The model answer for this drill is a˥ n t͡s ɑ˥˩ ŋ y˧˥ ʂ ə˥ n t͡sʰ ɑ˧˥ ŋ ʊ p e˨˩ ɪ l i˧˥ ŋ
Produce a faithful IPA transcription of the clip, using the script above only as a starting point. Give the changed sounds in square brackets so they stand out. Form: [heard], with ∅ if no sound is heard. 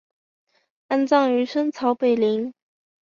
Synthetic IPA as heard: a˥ n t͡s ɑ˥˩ ŋ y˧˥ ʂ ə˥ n t͡sʰ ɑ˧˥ [∅] ʊ p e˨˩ ɪ l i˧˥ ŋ

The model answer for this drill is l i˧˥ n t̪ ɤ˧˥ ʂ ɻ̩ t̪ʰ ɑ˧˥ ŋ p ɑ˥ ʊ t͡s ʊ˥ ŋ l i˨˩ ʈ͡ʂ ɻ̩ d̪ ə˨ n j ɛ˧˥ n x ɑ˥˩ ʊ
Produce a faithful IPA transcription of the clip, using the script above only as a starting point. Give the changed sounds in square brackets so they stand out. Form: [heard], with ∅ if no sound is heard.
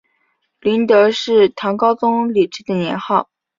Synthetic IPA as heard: l i˧˥ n t̪ ɤ˧˥ ʂ ɻ̩ t̪ʰ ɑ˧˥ ŋ [k] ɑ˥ ʊ t͡s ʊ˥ ŋ l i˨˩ ʈ͡ʂ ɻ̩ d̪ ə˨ n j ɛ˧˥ n x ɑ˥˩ ʊ

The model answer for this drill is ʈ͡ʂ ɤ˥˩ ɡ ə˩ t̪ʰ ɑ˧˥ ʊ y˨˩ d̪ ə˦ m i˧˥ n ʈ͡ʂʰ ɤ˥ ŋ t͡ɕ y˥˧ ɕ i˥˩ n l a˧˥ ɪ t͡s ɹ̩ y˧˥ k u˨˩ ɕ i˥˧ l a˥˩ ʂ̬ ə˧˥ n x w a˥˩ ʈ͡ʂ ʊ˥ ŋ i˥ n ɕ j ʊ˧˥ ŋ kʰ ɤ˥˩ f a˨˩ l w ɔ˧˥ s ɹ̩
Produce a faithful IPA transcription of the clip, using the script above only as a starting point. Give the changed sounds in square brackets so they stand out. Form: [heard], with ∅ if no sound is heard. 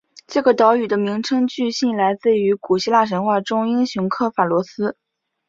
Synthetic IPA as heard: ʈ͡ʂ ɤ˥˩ ɡ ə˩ [t̪] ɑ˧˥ ʊ y˨˩ d̪ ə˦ m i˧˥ [ŋ] ʈ͡ʂʰ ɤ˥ ŋ t͡ɕ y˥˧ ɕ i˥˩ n l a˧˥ ɪ t͡s ɹ̩ y˧˥ k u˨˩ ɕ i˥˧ l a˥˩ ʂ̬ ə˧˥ n x w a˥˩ ʈ͡ʂ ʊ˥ ŋ i˥ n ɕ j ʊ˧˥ ŋ kʰ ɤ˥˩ f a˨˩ l w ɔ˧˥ s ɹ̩

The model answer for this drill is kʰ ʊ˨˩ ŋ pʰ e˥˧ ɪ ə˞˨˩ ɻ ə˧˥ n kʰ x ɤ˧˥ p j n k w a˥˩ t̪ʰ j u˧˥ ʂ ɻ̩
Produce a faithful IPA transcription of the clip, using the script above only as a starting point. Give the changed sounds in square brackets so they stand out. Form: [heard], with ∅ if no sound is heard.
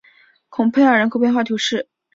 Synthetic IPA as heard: kʰ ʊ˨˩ ŋ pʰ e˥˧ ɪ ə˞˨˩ ɻ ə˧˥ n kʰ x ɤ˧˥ p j n [x] w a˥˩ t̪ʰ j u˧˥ ʂ ɻ̩

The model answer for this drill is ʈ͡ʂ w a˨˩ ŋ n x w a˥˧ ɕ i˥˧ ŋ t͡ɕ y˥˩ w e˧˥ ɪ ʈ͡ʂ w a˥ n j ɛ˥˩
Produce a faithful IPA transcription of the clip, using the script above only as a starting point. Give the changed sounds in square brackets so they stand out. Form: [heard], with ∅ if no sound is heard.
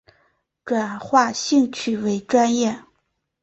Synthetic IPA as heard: ʈ͡ʂ w a˨˩ [∅] n x w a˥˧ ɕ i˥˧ ŋ [t͡ɕʰ] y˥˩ w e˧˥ ɪ ʈ͡ʂ w a˥ n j ɛ˥˩

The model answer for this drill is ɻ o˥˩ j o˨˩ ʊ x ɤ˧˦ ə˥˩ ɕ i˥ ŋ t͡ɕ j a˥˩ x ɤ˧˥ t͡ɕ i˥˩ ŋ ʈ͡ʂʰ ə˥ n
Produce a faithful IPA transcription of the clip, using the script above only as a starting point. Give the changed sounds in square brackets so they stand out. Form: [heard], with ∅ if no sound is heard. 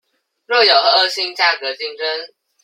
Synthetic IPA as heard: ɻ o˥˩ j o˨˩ ʊ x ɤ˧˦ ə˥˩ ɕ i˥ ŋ t͡ɕ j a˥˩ [k] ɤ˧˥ t͡ɕ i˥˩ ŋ [ʈ͡ʂ] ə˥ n

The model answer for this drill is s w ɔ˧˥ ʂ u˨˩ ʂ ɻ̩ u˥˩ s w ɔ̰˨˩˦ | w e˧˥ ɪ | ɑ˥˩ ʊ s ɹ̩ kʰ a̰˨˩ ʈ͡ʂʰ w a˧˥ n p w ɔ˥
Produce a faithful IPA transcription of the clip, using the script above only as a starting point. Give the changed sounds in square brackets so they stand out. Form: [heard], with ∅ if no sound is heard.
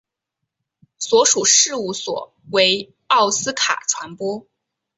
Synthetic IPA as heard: s w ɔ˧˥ ʂ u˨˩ ʂ ɻ̩ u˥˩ s w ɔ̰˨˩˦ | w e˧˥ ɪ | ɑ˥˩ ʊ s ɹ̩ kʰ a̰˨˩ ʈ͡ʂʰ w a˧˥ n p w ɔ˥

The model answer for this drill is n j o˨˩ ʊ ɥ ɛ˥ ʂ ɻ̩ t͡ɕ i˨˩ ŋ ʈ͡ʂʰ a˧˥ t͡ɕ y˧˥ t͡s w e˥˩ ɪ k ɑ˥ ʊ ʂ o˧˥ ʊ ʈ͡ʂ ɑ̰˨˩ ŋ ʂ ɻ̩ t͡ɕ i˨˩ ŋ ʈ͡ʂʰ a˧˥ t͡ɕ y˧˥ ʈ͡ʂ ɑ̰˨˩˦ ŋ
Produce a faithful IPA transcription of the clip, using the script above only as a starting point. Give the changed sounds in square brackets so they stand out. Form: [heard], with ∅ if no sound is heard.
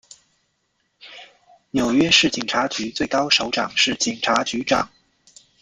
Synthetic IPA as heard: n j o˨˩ ʊ ɥ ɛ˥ ʂ ɻ̩ t͡ɕ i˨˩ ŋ ʈ͡ʂʰ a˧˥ t͡ɕ y˧˥ t͡s w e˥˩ ɪ k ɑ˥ ʊ ʂ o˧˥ ʊ ʈ͡ʂ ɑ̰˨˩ ŋ ʂ ɻ̩ t͡ɕ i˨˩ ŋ ʈ͡ʂʰ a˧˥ t͡ɕ y˧˥ ʈ͡ʂ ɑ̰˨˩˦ ŋ

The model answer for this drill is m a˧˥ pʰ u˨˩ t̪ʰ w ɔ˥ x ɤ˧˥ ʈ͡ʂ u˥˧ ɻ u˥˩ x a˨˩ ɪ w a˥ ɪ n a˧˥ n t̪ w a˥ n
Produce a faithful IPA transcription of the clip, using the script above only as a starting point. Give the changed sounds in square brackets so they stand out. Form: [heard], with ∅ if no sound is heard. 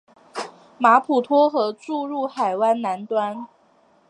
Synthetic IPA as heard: m a˧˥ pʰ u˨˩ t̪ʰ w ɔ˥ x ɤ˧˥ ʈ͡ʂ u˥˧ ɻ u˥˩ x a˨˩ ɪ w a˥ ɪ n a˧˥ n t̪ w a˥ n

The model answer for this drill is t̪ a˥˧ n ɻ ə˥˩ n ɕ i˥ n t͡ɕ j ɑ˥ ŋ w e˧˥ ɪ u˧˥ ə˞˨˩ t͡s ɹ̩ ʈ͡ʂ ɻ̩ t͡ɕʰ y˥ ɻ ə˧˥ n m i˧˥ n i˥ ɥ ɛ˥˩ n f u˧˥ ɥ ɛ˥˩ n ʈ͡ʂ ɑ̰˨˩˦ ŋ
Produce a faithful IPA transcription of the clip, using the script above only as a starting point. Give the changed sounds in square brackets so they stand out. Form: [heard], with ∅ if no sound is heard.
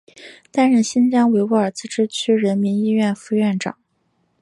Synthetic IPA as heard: t̪ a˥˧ n ɻ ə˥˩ n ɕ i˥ n t͡ɕ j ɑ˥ ŋ w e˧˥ ɪ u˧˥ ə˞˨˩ t͡s ɹ̩ ʈ͡ʂ ɻ̩ t͡ɕʰ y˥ ɻ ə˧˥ n m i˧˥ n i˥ ɥ ɛ˥˩ n f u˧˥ ɥ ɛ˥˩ n ʈ͡ʂ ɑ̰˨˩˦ ŋ

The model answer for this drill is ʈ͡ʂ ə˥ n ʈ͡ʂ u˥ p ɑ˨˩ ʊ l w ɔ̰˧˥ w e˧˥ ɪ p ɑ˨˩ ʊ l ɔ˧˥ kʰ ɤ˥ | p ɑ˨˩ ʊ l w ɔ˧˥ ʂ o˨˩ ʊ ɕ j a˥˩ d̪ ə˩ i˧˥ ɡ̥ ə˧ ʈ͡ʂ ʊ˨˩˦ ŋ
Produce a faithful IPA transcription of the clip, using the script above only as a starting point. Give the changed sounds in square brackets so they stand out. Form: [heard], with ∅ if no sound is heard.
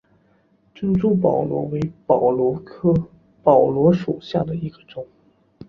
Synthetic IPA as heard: ʈ͡ʂ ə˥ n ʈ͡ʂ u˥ p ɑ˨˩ ʊ l w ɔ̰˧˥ w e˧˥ ɪ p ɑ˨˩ ʊ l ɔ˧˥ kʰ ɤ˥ | p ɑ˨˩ ʊ l w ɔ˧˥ ʂ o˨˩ ʊ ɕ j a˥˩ d̪ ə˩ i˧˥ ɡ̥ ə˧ ʈ͡ʂ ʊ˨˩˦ ŋ

